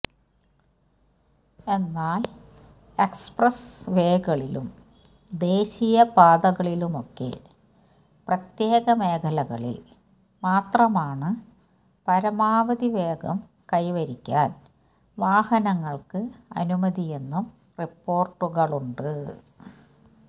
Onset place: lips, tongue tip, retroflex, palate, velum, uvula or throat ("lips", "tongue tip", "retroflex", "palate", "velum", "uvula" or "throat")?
tongue tip